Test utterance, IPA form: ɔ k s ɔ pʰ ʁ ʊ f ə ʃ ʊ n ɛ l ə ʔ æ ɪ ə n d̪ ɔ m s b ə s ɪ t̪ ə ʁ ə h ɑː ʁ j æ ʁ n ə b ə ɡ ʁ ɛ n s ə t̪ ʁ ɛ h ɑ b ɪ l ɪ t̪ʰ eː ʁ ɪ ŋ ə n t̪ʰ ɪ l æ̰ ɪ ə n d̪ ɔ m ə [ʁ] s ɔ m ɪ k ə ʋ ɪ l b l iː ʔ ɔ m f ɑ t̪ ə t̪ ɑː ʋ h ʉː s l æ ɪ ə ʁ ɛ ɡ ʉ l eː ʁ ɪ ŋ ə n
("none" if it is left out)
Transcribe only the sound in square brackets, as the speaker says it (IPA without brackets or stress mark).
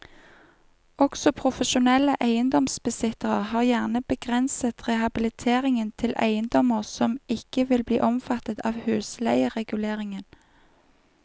ʁ